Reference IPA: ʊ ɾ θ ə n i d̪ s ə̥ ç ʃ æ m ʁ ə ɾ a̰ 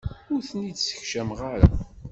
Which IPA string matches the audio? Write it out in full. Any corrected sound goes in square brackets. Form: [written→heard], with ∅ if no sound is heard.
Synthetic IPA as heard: ʊ ɾ θ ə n i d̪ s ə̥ ç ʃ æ m ʁ [ə→a] ɾ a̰